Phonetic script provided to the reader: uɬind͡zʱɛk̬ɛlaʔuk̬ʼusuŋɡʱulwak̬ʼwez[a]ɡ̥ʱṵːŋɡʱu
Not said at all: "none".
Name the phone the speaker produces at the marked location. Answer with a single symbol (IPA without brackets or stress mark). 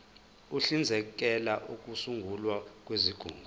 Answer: i